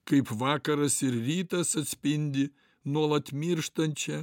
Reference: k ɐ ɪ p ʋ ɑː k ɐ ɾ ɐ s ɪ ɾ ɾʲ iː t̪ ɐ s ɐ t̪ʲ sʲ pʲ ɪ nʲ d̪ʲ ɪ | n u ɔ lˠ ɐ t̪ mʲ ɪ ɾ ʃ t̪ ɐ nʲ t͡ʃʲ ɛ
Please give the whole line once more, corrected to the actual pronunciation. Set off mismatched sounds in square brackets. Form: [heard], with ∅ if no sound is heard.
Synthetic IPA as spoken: k ɐ ɪ p ʋ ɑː k ɐ ɾ ɐ s ɪ ɾ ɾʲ iː t̪ ɐ s ɐ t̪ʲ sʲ pʲ ɪ nʲ d̪ʲ ɪ | n u ɔ lˠ ɐ t̪ mʲ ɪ ɾ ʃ t̪ ɐ nʲ t͡ʃʲ ɛ